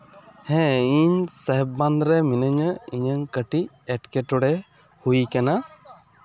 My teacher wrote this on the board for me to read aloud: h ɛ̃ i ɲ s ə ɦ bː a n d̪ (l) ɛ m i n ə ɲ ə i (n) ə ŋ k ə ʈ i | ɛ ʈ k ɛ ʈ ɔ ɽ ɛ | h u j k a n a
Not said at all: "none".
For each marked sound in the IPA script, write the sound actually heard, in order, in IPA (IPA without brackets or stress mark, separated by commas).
ɾ, ɲ